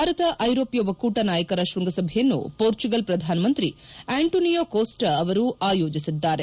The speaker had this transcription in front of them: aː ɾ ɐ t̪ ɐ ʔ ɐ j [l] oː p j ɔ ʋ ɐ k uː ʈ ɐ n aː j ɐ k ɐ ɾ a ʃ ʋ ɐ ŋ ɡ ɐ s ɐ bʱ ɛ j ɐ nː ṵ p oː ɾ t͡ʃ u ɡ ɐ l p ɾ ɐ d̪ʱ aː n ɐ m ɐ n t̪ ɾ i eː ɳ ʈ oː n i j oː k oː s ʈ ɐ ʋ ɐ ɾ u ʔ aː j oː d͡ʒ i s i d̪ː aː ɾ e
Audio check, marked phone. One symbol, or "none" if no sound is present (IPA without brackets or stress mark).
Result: ɾ